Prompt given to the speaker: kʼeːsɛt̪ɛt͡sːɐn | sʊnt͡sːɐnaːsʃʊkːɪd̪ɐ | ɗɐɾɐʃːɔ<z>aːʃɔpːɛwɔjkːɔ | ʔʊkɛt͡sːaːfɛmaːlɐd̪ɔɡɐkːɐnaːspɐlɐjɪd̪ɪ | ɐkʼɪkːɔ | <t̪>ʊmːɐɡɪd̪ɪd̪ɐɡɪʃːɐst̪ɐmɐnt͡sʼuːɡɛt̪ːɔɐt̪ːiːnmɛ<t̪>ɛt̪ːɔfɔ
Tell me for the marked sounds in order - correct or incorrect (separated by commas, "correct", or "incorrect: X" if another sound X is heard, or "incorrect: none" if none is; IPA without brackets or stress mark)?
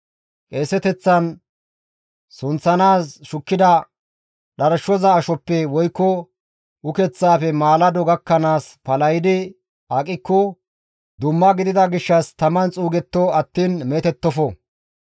correct, incorrect: d̪, correct